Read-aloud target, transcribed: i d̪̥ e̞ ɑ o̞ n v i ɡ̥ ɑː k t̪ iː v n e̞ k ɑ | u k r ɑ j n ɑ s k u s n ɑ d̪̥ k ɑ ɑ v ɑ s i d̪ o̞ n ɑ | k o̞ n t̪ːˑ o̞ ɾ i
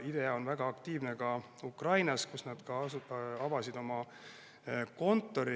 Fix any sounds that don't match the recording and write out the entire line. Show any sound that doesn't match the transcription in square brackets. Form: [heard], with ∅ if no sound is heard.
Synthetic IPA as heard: i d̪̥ e̞ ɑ o̞ n v [æ] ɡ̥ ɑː k t̪ iː v n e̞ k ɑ | u k r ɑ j n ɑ s k u s n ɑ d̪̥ k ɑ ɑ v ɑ s i d̪ o̞ [m] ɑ | k o̞ n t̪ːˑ o̞ ɾ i

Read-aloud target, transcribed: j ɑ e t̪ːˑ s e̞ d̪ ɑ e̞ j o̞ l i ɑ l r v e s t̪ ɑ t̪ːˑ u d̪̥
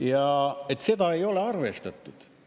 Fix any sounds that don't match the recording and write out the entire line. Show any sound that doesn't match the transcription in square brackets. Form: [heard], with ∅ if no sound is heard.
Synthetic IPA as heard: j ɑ e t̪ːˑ s e̞ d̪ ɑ e̞ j o̞ l [e] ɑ [∅] r v e s t̪ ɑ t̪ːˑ u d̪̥

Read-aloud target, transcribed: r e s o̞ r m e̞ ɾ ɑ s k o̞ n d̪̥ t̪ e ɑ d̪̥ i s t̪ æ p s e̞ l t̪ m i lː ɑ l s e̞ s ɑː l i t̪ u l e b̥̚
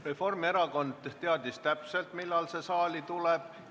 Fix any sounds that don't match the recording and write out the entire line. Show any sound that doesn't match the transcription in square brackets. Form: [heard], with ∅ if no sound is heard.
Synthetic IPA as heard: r e [f] o̞ r m e̞ ɾ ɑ [∅] k o̞ n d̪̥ t̪ e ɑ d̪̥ i s t̪ æ p s e̞ l t̪ m i lː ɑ l s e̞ s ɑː l i t̪ u l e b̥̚

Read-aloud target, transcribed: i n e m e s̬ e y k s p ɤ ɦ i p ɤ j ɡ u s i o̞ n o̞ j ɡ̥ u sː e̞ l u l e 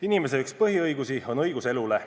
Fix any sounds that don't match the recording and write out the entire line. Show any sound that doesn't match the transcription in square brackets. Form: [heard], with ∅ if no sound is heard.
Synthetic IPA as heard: i n [i] m e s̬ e y k s p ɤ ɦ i [∅] ɤ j ɡ u s i o̞ n [ɤ̞] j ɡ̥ u [s] e̞ l u l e

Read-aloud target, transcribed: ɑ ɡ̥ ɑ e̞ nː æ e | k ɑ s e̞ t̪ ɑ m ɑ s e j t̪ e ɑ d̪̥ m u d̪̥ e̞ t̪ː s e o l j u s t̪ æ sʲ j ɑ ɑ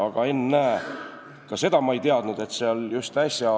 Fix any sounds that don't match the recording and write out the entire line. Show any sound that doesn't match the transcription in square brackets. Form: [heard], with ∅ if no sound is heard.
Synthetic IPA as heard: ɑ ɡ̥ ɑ e̞ nː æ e | k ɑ s e̞ [d̪] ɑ m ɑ [∅] e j t̪ e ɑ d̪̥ [n] u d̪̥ e̞ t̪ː s e o l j u s t̪ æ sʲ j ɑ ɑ

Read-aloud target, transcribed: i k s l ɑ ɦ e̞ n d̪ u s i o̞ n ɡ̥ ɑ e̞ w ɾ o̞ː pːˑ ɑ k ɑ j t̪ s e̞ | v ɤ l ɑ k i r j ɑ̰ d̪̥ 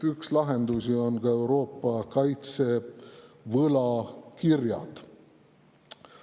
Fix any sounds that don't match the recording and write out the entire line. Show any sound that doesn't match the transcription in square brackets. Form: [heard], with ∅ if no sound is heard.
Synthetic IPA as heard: [y] k s l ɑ ɦ e̞ n d̪ u s i o̞ n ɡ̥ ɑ e̞ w ɾ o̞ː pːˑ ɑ k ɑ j t̪ s e̞ | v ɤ l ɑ k i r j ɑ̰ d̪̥

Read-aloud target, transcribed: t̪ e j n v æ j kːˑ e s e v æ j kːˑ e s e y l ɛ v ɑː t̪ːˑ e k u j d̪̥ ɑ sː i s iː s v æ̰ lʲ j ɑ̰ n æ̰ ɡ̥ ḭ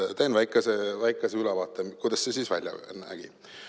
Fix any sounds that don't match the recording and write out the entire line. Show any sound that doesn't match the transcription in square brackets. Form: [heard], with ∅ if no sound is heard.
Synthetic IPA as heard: t̪ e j n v æ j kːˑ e s e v æ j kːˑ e s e y l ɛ v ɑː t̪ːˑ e k u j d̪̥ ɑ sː [e] s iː s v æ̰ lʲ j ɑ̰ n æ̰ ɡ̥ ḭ

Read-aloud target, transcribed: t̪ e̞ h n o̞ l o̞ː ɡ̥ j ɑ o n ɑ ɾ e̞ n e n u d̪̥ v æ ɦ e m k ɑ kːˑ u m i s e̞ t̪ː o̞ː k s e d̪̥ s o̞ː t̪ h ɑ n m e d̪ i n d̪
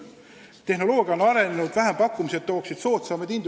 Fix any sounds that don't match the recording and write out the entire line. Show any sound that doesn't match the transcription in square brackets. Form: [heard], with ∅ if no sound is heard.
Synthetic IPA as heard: t̪ e̞ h n o̞ l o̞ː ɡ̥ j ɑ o n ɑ ɾ e̞ n e n u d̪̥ v æ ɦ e m [p] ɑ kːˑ u m i s e̞ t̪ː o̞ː k s [i] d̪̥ s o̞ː t̪ [s] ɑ [∅] m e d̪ i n d̪

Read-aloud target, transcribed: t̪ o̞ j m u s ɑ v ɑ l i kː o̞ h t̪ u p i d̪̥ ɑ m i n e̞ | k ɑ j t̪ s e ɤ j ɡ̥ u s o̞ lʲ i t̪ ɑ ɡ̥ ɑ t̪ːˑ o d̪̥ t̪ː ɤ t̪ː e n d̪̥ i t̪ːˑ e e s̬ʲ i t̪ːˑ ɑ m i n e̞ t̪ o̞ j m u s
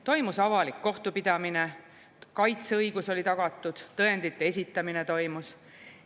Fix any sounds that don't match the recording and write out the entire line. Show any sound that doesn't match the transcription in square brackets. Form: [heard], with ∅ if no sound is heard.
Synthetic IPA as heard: t̪ o̞ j m u s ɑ v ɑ l i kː o̞ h t̪ u p i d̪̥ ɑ m i n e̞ | k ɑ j t̪ s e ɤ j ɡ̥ u s o̞ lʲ i t̪ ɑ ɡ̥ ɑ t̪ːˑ [u] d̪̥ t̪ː ɤ [∅] e n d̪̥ i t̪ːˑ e e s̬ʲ i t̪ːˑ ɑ m i n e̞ t̪ o̞ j m u s

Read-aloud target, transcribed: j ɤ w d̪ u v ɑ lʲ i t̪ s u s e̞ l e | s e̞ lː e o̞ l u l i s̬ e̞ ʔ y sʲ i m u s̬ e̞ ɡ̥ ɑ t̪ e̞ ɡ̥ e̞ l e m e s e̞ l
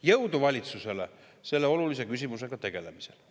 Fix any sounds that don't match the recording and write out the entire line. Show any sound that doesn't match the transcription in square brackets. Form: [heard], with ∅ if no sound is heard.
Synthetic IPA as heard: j ɤ w d̪ u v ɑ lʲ i t̪ s u s e̞ l e | s e̞ lː e o̞ l u l i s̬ e̞ [k] y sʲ i m u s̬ e̞ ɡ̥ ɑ t̪ e̞ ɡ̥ e̞ l e m [i] s e̞ l

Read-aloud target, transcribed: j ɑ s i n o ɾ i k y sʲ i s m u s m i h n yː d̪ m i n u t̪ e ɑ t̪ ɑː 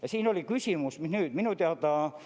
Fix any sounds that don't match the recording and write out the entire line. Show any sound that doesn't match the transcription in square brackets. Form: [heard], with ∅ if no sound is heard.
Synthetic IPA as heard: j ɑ s [iː] n o [l] i k y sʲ i [∅] m u s m i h n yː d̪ m i n u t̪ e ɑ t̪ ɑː

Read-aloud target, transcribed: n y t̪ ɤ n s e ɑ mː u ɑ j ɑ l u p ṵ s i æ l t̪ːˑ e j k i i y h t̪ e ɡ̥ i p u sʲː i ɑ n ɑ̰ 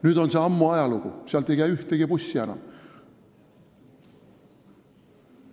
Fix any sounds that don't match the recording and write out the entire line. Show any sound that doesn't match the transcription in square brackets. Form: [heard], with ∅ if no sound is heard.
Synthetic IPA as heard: n y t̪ [o] n s e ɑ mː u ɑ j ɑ l u [k] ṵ s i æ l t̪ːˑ e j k [æ] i y h t̪ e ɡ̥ i p u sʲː i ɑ n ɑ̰

